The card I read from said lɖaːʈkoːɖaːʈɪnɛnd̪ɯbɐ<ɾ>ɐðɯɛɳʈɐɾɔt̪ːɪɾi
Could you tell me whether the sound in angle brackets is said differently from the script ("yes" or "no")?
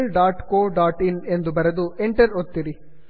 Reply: no